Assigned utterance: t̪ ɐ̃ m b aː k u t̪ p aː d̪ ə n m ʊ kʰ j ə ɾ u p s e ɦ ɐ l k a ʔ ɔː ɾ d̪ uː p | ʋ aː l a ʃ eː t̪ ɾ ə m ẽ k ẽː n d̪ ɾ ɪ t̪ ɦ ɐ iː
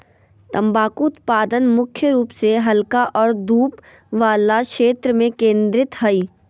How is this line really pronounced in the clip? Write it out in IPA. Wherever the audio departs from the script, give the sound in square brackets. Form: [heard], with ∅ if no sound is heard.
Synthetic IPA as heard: t̪ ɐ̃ m b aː k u t̪ p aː d̪ ə n m ʊ kʰ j ə ɾ [uː] p s e ɦ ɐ l k a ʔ ɔː ɾ d̪ uː p | ʋ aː l a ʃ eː t̪ ɾ ə m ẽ k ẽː n d̪ ɾ ɪ t̪ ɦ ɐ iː